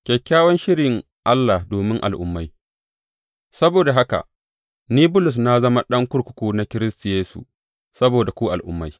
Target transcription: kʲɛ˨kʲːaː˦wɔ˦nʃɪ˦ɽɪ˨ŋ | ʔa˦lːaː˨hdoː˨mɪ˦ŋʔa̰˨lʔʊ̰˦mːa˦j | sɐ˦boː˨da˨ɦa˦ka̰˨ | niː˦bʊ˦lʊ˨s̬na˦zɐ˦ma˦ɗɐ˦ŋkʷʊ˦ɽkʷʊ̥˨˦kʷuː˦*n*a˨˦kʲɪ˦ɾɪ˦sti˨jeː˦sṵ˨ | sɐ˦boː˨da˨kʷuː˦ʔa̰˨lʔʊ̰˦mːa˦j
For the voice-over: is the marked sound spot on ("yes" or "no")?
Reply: yes